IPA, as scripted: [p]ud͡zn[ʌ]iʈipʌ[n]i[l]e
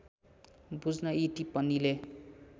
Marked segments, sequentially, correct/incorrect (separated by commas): incorrect, correct, correct, correct